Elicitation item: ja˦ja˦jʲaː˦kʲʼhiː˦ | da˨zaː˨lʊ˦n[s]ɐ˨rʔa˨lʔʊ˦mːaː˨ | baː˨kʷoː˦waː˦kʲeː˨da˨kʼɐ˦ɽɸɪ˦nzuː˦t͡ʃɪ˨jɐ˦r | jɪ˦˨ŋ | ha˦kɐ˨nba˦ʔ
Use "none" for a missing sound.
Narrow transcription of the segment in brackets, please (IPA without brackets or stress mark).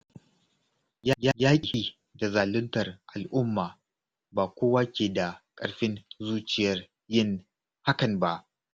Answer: t